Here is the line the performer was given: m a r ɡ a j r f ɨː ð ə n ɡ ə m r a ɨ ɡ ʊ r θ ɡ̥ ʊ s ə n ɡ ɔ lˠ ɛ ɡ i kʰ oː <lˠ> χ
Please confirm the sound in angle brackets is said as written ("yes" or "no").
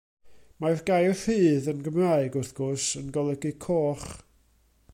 no